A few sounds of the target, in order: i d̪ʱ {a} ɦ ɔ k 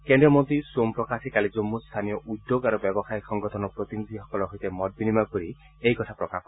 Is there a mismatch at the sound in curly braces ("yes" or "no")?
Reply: yes